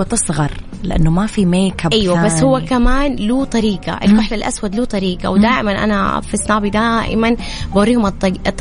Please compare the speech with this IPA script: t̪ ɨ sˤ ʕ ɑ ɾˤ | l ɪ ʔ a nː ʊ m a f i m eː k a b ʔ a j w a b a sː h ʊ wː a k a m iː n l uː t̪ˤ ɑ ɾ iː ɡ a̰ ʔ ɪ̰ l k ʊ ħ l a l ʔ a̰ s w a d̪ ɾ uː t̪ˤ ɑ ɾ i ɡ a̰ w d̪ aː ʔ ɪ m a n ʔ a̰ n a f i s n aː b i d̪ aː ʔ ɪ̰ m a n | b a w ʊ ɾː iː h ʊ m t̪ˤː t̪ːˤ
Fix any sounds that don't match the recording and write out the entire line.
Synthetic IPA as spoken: t̪ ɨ sˤ ɣ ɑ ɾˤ | l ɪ ʔ a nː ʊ m a f i m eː k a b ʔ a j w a b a sː h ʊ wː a k a m aː n l uː t̪ˤ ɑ ɾ iː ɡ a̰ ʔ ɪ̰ l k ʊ ħ l a l ʔ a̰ s w a d̪ l uː t̪ˤ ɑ ɾ iː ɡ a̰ w d̪ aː ʔ ɪ m a n ʔ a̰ n a f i s n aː b i d̪ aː ʔ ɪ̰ m a n | b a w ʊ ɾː iː h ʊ m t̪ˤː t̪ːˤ